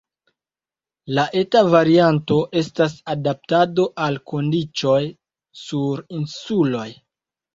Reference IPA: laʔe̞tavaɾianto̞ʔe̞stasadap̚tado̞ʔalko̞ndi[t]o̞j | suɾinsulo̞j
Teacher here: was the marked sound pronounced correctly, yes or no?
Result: no